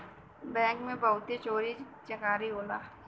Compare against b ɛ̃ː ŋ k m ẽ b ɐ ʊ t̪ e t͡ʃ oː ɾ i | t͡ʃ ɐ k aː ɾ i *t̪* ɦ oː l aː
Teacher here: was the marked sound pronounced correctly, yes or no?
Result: no